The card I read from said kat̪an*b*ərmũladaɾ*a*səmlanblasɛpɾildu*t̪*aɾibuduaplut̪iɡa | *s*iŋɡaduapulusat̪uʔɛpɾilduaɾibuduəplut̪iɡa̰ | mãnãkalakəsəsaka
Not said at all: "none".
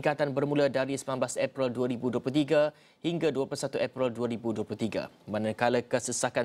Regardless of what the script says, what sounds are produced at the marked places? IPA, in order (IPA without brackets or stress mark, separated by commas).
b, i, none, h